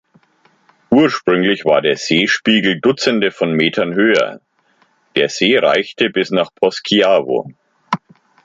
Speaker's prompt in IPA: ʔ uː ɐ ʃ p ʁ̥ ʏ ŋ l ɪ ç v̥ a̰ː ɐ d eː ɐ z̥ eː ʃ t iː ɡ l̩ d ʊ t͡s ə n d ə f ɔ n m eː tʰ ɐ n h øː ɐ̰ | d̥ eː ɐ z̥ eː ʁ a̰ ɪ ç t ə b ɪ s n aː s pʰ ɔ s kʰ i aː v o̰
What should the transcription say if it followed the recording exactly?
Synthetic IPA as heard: ʔ uː ɐ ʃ p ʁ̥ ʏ ŋ l ɪ ç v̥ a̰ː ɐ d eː ɐ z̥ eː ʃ p iː ɡ l̩ d ʊ t͡s ə n d ə f ɔ n m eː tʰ ɐ n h øː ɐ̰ | d̥ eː ɐ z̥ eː ʁ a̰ ɪ ç t ə b ɪ s n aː χ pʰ ɔ s kʰ i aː v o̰